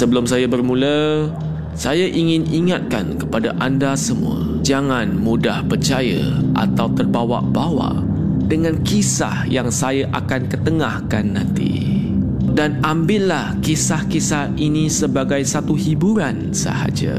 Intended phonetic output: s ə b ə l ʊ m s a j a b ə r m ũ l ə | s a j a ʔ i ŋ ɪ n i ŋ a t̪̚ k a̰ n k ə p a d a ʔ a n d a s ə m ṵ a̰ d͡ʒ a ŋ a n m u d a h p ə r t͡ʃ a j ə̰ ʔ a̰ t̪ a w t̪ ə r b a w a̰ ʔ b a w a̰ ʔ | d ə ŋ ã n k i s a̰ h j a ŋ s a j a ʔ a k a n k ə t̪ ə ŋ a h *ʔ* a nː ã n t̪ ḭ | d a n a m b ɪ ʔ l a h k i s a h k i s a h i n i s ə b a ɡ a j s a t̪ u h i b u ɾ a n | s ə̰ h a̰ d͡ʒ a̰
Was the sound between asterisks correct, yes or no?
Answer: no